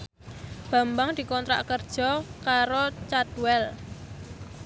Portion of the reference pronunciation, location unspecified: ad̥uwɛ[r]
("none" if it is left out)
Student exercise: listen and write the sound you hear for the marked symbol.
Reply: l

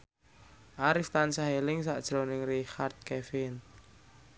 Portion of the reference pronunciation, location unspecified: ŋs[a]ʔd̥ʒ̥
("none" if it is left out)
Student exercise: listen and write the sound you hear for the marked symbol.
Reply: a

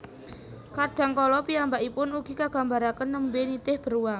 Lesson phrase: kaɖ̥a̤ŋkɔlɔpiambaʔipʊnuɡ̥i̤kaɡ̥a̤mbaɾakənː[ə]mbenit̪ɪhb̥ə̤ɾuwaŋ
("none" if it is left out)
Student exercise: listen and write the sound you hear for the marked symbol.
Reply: ə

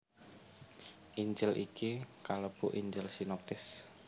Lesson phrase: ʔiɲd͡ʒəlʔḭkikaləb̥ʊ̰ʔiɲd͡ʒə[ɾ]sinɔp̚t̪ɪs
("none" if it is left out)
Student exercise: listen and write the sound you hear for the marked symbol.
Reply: l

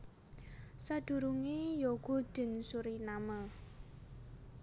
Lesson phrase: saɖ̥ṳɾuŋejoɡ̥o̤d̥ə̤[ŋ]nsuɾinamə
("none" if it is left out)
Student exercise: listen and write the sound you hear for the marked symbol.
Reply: none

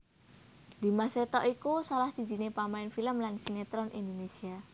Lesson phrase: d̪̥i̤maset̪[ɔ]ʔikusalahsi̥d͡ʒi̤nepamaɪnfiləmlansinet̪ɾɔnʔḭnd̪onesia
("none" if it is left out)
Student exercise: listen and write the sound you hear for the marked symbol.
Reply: ɔ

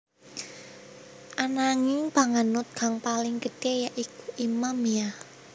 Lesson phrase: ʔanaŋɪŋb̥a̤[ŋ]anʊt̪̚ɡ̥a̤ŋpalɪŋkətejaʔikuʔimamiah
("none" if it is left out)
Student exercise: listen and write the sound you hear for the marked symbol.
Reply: ŋ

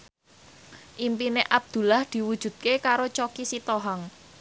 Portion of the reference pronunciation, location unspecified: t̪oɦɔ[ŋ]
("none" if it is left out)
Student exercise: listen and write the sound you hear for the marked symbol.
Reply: ŋ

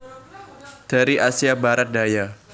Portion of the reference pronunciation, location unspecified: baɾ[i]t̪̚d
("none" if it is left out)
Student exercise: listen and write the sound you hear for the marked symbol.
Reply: a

